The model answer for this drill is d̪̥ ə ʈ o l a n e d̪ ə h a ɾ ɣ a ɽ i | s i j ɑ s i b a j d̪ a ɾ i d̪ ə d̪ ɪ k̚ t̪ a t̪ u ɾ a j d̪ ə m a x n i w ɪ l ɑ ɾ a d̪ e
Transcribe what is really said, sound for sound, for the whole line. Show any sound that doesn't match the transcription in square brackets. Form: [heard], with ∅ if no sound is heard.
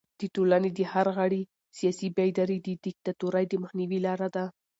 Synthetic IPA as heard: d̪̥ ə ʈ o l a n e d̪ ə h a ɾ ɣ a ɽ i | s i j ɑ s i b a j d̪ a ɾ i d̪ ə d̪ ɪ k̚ t̪ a t̪ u ɾ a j d̪ ə m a x n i w [i] l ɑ ɾ a d̪ [a]